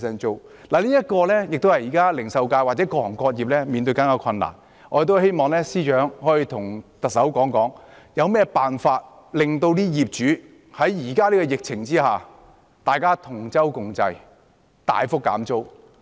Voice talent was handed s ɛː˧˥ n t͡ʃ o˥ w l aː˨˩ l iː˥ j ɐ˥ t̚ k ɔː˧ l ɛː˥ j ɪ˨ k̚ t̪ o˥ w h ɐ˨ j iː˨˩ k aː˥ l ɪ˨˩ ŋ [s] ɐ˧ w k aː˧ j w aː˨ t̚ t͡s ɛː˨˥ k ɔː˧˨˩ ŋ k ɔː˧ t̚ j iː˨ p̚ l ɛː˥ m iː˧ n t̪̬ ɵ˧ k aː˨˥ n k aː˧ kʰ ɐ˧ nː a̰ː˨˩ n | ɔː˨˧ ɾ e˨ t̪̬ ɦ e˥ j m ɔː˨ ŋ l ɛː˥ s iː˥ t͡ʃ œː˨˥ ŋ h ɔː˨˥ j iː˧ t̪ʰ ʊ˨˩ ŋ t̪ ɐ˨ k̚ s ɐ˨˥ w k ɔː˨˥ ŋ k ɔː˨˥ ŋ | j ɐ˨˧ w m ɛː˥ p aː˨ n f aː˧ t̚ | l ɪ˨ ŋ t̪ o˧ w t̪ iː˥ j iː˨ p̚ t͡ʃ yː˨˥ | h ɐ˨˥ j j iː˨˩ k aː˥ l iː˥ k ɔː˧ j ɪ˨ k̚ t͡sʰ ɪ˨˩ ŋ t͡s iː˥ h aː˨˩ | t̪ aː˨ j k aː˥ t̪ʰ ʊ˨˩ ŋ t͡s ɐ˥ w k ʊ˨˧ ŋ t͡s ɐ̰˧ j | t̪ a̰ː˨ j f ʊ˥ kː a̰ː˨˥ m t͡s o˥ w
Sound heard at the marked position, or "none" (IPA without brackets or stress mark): s